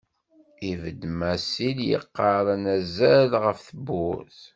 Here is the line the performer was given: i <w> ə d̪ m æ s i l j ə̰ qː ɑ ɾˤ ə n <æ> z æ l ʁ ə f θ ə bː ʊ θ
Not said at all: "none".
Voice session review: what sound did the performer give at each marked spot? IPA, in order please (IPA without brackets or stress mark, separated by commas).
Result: v, æ